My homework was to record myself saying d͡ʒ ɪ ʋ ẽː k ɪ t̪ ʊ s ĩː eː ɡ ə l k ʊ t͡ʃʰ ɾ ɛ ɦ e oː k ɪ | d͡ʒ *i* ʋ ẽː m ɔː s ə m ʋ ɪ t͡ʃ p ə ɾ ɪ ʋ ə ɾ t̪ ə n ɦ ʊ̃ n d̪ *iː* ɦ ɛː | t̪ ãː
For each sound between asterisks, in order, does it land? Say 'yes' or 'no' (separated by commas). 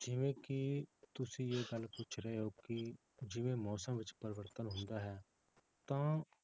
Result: no, no